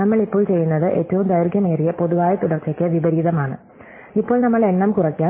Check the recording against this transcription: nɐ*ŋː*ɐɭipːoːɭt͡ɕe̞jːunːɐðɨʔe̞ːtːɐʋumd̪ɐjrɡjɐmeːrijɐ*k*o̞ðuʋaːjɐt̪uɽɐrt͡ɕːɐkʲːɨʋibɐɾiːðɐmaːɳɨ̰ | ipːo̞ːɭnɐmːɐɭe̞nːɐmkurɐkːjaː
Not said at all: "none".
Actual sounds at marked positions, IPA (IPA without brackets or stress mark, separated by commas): mː, p